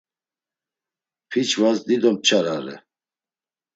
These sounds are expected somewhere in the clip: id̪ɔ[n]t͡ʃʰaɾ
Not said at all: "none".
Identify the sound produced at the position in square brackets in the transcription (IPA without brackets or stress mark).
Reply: m